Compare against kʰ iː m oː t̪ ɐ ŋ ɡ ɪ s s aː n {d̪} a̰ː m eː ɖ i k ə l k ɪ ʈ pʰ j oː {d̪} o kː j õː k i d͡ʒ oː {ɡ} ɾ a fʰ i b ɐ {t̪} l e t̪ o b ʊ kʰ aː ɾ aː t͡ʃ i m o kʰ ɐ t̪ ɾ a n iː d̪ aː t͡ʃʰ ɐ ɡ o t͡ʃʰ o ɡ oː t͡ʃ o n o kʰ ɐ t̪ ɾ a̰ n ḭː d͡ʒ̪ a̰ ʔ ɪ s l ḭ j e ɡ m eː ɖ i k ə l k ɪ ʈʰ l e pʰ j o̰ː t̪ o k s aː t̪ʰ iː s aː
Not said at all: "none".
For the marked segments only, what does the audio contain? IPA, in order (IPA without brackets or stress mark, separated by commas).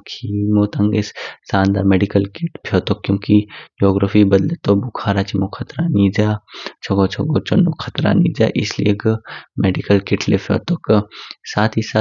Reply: d̪, t̪, ɡ, d̪